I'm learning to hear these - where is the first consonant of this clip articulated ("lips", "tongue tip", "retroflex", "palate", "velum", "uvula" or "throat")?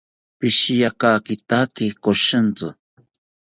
lips